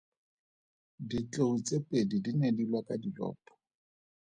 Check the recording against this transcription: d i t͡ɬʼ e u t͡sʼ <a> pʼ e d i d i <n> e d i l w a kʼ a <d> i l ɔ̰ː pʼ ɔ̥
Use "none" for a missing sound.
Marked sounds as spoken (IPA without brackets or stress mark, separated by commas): e, n, d